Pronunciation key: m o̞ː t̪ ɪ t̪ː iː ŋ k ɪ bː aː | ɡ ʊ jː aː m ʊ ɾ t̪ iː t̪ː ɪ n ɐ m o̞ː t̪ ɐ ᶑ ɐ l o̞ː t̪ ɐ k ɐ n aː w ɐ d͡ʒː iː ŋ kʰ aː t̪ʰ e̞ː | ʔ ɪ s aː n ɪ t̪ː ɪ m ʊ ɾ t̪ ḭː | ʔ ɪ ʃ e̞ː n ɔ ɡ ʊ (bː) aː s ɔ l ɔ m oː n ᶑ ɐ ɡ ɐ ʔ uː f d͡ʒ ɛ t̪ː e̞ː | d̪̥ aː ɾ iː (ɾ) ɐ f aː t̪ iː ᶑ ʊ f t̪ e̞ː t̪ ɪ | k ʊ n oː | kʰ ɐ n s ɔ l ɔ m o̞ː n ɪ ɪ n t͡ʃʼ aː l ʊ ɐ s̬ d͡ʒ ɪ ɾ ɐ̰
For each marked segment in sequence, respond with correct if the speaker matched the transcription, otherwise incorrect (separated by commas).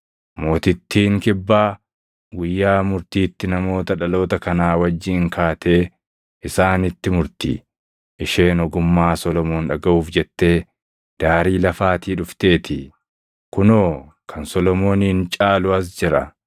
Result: incorrect, incorrect